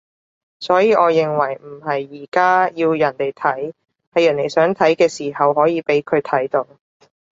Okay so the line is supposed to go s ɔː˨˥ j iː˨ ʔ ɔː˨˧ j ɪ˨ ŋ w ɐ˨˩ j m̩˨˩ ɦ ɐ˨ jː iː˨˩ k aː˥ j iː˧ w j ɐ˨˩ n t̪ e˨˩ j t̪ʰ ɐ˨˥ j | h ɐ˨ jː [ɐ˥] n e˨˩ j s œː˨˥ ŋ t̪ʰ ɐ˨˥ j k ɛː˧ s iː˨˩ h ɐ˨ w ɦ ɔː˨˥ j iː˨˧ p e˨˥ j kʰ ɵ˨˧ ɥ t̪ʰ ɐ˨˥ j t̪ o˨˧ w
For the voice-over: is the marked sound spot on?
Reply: no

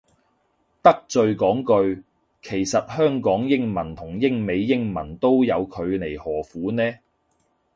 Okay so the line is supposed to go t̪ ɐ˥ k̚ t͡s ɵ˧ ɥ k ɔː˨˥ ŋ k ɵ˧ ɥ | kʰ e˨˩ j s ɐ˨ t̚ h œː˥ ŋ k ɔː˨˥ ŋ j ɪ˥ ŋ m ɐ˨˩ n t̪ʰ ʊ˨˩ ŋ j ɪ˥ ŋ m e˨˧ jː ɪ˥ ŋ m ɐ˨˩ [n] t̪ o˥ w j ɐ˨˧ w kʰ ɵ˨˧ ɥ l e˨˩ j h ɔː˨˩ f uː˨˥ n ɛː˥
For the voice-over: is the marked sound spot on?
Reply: yes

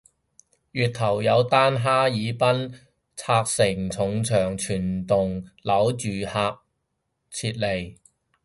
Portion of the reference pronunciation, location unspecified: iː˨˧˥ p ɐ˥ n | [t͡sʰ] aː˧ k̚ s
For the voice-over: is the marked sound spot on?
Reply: yes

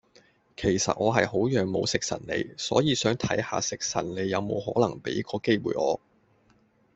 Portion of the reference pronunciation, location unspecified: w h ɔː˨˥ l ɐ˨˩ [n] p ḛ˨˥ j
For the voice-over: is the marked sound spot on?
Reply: no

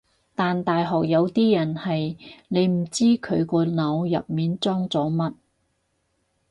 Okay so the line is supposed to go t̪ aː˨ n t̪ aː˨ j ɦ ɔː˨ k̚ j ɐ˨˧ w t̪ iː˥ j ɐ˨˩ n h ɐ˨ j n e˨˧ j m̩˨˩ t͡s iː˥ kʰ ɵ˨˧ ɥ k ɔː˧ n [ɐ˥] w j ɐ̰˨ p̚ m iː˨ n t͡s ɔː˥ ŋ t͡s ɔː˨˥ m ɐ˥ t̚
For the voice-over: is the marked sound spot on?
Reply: no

